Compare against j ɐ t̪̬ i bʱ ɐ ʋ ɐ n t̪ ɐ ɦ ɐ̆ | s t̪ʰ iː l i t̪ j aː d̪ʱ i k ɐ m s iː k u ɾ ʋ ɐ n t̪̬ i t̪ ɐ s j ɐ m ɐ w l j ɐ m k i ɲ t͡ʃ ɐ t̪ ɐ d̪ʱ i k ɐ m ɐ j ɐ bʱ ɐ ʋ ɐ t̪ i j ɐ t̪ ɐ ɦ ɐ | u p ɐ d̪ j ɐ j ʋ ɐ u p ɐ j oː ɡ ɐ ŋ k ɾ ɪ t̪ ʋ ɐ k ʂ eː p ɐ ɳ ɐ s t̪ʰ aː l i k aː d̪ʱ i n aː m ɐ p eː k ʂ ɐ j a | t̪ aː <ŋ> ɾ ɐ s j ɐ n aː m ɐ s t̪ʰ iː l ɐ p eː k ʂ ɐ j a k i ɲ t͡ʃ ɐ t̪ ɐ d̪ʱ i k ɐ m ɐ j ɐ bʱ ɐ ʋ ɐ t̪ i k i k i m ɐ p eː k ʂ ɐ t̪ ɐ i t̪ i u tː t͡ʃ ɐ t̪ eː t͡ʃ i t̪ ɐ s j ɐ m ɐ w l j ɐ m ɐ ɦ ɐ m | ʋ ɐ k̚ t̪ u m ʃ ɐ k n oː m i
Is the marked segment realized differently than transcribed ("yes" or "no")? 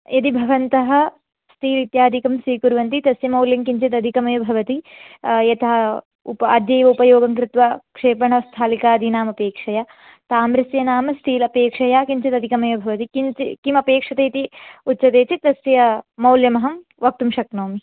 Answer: yes